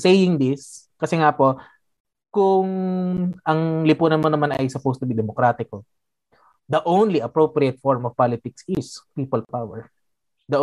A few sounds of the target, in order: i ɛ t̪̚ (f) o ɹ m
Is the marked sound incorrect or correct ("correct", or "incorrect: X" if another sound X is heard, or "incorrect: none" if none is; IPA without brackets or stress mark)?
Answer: correct